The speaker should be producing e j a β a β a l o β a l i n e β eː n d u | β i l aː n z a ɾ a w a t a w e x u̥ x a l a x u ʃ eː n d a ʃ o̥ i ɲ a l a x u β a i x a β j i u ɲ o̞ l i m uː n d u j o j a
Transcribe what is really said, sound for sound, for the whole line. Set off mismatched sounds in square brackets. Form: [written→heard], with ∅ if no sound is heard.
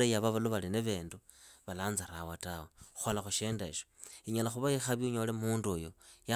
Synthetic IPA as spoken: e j a β a β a l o β a l i n e β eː n d u | β [i→a] l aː n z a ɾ a w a t a w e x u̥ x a l a x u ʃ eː n d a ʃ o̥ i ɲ a l a x u β a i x a β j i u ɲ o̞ l [i→e] m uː n d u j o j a